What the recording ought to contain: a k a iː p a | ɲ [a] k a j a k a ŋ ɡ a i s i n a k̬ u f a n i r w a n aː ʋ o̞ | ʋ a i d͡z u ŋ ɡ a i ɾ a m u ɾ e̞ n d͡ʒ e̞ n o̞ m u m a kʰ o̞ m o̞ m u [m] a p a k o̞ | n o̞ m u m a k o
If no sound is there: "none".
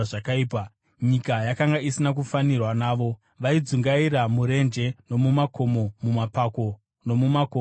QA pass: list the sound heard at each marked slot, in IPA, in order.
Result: i, m

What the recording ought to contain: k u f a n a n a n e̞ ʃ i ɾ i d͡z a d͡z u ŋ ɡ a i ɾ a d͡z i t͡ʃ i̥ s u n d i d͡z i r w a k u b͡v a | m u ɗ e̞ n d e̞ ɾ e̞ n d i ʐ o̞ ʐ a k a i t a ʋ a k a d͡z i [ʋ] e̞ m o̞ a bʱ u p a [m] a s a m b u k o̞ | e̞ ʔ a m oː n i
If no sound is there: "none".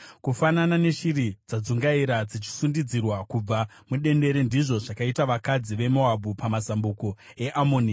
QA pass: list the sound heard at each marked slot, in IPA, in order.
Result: ʋ, m

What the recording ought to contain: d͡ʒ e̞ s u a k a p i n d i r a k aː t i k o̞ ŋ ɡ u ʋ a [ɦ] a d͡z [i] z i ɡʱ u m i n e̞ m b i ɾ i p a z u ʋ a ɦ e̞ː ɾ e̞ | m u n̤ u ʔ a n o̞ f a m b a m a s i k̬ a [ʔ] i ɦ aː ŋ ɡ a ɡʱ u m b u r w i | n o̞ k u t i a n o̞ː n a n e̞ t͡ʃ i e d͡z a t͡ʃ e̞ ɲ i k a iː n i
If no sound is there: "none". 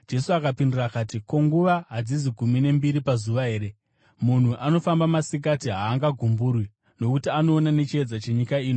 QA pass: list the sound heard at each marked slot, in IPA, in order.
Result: ɦ, i, t

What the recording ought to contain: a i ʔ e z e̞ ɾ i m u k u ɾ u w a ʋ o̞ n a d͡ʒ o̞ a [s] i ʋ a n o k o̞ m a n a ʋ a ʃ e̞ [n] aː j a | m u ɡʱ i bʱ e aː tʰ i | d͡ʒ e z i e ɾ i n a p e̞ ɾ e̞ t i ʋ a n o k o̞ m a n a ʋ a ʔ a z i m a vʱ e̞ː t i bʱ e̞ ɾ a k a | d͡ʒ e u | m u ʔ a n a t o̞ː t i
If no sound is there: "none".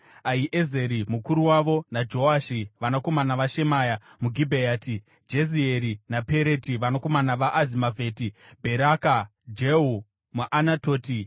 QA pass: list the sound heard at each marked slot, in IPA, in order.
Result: ʃ, m

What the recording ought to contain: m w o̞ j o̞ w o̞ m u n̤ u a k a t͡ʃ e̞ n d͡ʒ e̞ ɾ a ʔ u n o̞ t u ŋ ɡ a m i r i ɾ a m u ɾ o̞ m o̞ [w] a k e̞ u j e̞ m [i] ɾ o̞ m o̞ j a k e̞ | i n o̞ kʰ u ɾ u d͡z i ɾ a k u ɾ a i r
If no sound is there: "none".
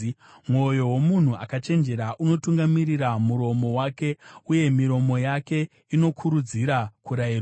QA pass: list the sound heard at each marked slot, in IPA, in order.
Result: w, i

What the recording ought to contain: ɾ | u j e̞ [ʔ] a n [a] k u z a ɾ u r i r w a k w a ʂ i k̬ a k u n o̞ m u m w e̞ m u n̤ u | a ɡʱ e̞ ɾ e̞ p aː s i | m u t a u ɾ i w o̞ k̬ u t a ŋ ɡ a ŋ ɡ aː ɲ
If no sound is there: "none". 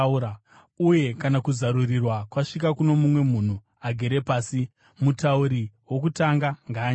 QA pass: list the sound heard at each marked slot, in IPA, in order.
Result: k, a

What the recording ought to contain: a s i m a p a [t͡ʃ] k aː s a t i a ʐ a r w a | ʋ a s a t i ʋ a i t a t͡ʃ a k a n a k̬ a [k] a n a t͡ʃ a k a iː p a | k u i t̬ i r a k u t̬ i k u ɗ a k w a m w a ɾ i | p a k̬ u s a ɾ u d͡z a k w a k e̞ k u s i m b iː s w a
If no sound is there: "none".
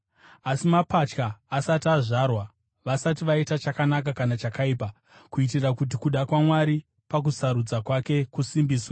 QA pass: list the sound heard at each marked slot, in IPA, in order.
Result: t͡ʃ, k

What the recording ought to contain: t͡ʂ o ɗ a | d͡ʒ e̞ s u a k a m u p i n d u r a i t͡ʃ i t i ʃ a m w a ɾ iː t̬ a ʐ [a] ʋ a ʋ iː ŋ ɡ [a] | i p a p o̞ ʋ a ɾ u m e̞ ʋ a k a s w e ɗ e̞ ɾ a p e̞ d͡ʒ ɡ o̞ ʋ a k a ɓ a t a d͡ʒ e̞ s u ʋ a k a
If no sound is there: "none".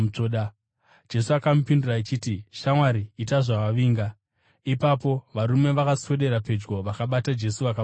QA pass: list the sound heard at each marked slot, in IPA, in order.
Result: a, a

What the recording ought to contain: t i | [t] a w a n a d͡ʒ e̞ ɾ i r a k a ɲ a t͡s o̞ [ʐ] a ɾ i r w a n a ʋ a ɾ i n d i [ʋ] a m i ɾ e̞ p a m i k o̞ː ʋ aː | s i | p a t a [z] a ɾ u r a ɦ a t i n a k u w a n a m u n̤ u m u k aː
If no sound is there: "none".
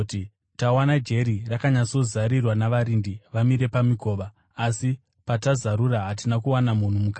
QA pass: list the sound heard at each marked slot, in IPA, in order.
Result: t, z, ʋ, z

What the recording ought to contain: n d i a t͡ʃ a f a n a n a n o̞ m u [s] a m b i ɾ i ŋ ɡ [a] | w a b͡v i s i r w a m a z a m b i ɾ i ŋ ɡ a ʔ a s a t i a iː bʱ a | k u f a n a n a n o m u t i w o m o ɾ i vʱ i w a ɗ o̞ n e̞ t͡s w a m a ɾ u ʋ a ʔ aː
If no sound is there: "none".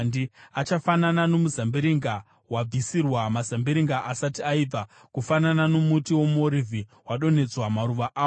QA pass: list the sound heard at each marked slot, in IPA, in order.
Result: z, a

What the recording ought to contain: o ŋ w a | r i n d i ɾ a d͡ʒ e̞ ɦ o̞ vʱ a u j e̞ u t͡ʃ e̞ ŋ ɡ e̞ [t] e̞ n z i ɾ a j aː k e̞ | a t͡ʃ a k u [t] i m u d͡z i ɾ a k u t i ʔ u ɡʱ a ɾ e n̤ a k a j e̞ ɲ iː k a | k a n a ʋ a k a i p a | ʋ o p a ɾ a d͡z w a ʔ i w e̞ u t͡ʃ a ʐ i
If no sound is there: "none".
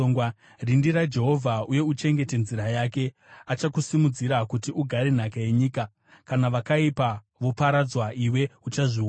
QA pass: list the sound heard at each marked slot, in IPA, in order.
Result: t, s

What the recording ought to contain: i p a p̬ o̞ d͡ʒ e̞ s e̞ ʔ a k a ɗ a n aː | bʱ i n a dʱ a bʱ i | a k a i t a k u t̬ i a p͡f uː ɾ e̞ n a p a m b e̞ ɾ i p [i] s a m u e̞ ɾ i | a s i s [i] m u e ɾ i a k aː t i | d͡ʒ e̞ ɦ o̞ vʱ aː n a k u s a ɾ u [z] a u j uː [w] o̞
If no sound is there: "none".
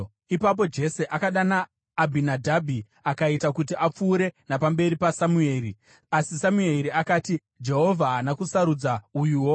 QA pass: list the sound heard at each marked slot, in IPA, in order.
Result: a, a, d͡z, w

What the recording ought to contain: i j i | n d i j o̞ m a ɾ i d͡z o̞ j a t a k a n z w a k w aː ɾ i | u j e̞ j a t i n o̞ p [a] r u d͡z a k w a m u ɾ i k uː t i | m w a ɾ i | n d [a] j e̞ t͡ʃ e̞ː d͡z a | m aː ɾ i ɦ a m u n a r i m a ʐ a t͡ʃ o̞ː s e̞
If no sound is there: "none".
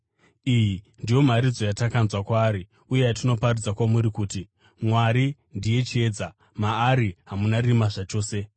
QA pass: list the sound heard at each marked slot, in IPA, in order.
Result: a, i

